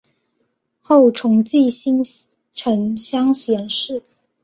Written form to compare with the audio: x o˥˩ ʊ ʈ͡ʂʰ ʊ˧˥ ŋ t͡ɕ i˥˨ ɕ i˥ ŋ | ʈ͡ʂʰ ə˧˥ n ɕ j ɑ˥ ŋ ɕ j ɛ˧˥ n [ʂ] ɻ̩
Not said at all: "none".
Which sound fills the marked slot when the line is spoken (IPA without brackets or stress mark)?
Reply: ʂ